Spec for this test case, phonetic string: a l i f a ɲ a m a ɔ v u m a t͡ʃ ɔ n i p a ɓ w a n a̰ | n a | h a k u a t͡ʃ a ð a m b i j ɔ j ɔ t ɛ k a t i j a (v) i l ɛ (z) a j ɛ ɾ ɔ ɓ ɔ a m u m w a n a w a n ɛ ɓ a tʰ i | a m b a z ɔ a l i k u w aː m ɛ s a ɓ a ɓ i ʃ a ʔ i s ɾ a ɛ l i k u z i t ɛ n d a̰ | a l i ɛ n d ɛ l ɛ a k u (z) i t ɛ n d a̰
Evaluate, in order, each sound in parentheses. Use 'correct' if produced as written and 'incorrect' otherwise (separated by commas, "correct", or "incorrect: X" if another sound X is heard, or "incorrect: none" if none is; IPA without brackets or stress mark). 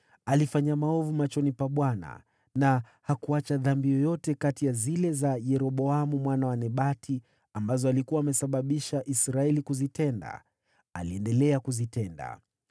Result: incorrect: z, correct, correct